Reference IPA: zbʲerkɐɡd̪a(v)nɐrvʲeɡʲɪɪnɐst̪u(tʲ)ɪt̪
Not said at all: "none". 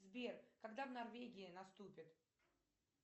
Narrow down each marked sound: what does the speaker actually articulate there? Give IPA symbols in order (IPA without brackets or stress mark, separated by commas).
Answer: v, pʲ